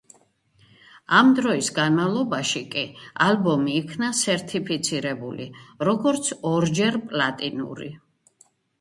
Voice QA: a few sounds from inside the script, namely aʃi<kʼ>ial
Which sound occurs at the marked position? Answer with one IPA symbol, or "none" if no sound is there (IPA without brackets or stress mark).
kʼ